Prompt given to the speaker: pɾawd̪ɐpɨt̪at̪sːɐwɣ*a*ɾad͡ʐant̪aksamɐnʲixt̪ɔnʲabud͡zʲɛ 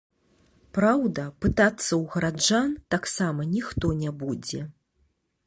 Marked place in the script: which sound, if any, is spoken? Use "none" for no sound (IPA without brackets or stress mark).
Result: ɐ